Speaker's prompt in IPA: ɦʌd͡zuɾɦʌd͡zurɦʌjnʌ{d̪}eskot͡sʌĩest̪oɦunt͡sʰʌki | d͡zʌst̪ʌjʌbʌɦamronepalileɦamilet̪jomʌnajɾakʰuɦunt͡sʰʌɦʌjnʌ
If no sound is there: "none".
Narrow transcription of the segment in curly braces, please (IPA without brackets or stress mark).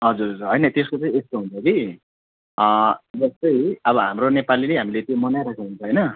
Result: t̪